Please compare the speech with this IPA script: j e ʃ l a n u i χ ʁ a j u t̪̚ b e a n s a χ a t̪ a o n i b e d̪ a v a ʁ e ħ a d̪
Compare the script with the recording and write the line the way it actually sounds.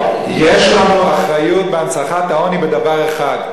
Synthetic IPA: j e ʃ l a n u a χ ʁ a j u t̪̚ b e a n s a χ a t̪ a o n i b e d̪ a v a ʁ e χ a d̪